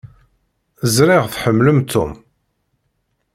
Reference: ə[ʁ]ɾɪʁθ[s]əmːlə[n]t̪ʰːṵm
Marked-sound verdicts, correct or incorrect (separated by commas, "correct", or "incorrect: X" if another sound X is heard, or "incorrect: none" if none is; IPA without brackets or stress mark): incorrect: z, incorrect: ħ, incorrect: m